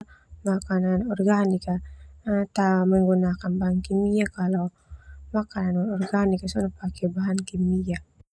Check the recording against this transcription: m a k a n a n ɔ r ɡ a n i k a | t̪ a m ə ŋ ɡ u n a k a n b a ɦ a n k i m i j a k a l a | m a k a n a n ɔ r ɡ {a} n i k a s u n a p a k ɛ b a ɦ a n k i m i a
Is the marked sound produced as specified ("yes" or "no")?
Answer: yes